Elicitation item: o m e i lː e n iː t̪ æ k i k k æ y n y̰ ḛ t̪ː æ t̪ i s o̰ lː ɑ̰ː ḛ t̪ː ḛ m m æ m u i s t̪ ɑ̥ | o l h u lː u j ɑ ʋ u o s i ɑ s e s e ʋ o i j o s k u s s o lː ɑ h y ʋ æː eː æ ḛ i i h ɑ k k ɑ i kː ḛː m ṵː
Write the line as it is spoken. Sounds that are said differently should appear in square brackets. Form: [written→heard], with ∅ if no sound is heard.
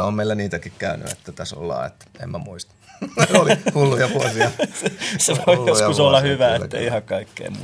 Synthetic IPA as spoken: o m e i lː [e→æ] n iː t̪ æ k i k k æ y n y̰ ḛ t̪ː æ t̪ [i→æ] s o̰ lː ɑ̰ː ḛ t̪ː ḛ m m æ m u i s t̪ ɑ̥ | o l h u lː u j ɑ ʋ u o s i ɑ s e s e ʋ o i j o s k u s s o lː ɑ h y ʋ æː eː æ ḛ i i h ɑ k k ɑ i kː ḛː m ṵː